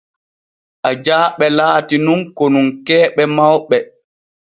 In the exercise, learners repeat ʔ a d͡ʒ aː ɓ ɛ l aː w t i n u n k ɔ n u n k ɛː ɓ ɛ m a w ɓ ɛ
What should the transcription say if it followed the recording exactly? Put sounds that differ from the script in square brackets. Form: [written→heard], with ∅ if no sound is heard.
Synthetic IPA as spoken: ʔ a d͡ʒ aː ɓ ɛ l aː [w→∅] t i n u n k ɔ n u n k ɛː ɓ ɛ m a w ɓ ɛ

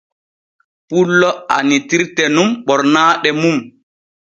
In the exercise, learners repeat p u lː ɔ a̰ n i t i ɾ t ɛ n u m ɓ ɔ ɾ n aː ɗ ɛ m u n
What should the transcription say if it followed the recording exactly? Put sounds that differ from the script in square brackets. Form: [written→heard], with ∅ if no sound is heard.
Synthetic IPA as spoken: p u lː ɔ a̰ n i t i ɾ t ɛ n u m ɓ ɔ ɾ n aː ɗ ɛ m u [n→m]

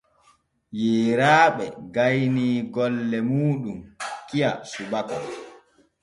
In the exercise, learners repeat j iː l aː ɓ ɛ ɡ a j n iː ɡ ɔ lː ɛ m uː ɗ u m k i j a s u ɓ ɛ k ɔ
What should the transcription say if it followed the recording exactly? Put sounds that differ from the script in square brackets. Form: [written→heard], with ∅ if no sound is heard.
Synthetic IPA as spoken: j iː [l→ɾ] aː ɓ ɛ ɡ a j n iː ɡ ɔ lː ɛ m uː ɗ u m k i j a s u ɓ [ɛ→a] k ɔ

